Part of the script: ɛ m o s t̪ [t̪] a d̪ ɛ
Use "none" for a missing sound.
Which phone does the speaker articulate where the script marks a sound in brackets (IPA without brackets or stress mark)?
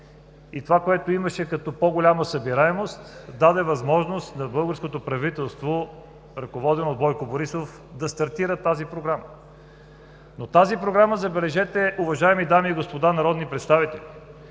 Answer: d̪